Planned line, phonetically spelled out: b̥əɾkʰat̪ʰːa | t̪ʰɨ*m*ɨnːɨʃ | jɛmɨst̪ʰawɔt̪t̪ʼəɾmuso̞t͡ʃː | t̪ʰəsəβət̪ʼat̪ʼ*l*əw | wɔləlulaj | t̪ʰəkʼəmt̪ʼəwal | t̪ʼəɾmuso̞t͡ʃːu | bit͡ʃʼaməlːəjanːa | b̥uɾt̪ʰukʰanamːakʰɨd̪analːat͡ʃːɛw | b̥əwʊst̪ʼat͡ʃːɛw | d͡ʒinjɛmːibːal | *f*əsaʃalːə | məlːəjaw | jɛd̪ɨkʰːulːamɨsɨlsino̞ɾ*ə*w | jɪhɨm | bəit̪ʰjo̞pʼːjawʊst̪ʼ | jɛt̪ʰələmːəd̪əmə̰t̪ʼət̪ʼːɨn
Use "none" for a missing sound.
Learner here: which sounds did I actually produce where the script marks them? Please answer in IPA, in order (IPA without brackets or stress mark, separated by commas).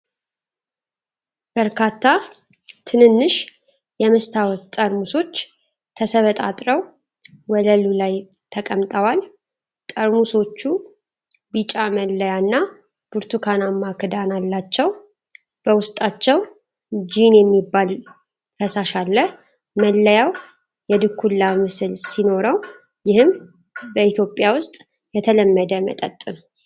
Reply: n, ɾ, f, ə